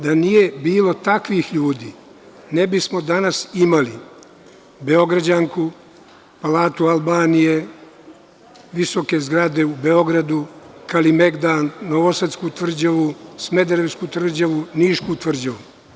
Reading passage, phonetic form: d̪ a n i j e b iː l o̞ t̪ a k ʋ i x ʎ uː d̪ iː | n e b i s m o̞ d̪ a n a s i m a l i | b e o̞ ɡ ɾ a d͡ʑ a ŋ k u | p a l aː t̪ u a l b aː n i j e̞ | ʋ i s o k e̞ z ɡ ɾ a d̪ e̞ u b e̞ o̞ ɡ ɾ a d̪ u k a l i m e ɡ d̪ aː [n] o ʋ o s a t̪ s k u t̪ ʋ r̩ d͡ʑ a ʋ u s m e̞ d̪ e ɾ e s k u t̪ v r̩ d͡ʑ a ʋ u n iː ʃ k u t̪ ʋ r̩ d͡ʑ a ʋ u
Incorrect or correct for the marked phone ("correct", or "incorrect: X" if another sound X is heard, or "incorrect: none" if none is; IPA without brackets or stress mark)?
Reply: incorrect: nː